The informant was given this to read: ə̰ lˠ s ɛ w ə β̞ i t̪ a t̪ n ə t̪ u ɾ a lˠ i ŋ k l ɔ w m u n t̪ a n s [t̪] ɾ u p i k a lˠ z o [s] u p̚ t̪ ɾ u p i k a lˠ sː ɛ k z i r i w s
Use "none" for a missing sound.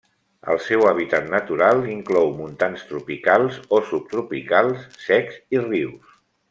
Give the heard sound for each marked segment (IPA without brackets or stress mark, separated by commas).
t̪, s